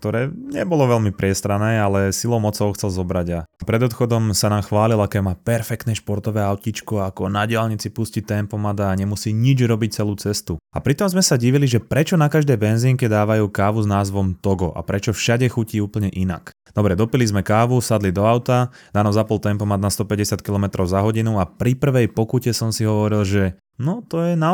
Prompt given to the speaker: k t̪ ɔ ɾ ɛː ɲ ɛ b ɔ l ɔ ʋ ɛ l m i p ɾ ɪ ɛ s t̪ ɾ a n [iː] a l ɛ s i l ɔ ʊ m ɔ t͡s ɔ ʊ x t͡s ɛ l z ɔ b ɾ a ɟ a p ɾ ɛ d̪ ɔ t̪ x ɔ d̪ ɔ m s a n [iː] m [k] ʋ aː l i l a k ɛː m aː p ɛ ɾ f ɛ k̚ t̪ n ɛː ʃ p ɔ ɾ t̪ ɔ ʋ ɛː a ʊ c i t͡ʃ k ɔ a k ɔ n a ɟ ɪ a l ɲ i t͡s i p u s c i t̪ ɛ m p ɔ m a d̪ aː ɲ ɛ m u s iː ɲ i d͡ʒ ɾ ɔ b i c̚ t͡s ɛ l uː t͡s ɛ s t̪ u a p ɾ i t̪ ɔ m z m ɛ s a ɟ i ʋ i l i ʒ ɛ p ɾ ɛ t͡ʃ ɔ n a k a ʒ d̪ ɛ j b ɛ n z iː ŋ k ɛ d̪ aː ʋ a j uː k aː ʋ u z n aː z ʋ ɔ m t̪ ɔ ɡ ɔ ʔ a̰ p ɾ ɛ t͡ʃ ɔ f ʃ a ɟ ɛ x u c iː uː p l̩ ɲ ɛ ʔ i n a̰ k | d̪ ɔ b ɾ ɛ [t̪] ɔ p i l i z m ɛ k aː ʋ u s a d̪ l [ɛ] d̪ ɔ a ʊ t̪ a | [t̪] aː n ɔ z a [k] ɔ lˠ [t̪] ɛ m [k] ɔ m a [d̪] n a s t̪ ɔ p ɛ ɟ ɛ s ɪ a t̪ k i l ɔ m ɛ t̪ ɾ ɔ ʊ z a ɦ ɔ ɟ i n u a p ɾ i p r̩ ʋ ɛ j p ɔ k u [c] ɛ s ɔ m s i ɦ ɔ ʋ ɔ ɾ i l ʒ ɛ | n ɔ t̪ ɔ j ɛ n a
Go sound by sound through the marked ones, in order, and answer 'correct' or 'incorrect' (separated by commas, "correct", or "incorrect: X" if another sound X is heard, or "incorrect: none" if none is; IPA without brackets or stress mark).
incorrect: ɛː, incorrect: aː, incorrect: x, incorrect: d̪, incorrect: i, incorrect: d̪, incorrect: p, correct, incorrect: p, correct, correct